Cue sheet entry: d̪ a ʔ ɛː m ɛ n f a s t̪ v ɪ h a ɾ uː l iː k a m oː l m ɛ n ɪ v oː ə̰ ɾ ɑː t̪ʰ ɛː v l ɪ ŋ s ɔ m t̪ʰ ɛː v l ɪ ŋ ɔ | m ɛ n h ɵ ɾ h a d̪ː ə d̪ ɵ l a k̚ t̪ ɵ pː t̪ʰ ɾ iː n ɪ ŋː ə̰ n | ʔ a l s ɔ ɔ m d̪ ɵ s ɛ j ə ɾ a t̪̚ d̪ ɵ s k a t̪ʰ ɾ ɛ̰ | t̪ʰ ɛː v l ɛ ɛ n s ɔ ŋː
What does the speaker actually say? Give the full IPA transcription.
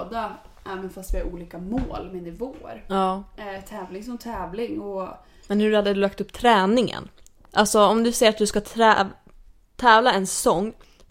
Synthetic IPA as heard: d̪ a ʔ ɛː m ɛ n f a s t̪ v ɪ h a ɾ uː l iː k a m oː l m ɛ n ɪ v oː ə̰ ɾ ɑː t̪ʰ ɛː v l ɪ ŋ s ɔ m t̪ʰ ɛː v l ɪ ŋ ɔ | m ɛ n h ɵ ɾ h a d̪ː ə d̪ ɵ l a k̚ t̪ ɵ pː t̪ʰ ɾ ɛː n ɪ ŋ ə̰ n | ʔ a l s ɔ ɔ m d̪ ɵ s ɛ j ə ɾ a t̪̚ d̪ ɵ s k a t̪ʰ ɾ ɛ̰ | t̪ʰ ɛː v l a ɛ n s ɔ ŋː